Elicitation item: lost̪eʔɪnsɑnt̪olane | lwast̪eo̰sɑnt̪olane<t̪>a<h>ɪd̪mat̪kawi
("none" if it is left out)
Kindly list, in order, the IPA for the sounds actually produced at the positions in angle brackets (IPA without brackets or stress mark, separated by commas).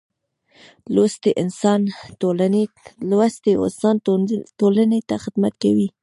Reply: t̪, x